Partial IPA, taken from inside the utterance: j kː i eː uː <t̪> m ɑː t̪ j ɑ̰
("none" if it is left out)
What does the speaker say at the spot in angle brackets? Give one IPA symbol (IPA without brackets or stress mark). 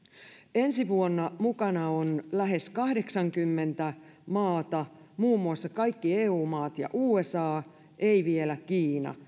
none